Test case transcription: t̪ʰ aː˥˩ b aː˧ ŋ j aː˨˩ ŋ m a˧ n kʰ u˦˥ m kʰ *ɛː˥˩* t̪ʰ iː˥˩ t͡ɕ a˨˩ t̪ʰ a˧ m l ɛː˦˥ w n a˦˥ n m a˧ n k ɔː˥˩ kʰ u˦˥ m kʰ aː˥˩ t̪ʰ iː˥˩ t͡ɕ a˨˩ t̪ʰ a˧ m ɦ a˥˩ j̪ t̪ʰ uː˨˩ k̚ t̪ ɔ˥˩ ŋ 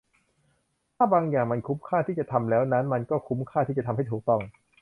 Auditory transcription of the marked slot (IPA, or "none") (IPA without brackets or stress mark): aː˥˩